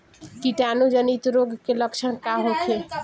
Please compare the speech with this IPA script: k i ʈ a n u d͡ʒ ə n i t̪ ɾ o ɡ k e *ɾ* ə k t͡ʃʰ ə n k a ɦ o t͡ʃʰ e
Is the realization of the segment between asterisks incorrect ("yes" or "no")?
yes